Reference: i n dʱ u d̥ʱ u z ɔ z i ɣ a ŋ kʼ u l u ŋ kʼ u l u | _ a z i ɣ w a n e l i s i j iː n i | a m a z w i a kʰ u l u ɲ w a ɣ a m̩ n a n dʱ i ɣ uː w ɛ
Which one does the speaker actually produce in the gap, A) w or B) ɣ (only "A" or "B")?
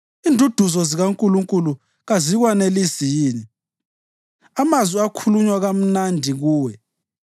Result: B